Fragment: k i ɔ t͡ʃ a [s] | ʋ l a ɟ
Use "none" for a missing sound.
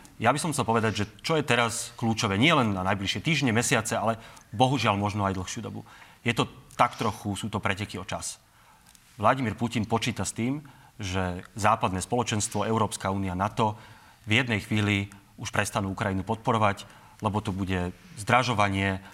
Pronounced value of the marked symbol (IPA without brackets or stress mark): s